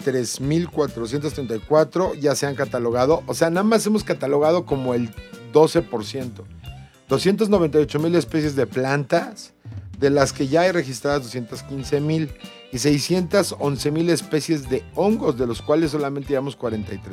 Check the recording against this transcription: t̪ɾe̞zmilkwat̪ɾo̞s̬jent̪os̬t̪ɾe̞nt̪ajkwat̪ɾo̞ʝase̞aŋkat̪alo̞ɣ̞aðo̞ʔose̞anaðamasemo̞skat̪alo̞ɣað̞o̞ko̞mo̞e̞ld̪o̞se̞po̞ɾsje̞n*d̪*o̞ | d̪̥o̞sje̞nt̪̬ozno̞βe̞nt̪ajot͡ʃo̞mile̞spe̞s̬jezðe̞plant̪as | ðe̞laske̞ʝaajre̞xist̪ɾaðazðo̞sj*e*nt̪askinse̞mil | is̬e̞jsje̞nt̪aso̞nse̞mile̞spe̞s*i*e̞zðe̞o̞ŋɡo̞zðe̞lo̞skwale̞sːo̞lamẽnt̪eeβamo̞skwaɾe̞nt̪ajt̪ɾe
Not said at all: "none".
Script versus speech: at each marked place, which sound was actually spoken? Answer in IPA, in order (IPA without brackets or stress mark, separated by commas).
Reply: t̪, e, j